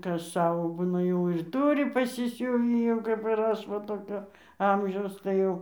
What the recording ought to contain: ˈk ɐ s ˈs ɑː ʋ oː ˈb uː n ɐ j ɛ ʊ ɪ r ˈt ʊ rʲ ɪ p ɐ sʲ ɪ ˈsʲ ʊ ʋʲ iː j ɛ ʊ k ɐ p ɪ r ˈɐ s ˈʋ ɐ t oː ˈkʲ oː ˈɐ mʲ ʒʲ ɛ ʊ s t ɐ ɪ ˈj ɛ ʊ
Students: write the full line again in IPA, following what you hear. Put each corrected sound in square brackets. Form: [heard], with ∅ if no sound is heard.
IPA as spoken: ˈk ɐ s ˈs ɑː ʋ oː ˈb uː n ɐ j ɛ ʊ ɪ r ˈt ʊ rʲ ɪ p ɐ sʲ ɪ ˈsʲ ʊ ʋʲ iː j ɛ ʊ k ɐ p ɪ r ˈɐ [ʃ] ˈʋ ɐ t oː ˈkʲ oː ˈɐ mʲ ʒʲ ɛ ʊ s t ɐ ɪ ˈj ɛ ʊ